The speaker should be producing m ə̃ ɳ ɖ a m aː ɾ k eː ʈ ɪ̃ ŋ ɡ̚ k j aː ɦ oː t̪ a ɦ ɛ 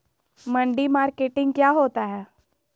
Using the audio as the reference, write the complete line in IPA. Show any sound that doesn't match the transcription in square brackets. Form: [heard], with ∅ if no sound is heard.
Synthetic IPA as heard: m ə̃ ɳ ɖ [i] m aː ɾ k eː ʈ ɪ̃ ŋ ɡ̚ k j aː ɦ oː t̪ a ɦ [ɛː]